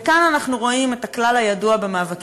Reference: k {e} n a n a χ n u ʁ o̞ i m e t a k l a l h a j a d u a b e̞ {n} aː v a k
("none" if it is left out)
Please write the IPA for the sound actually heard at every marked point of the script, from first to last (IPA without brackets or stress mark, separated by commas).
a, m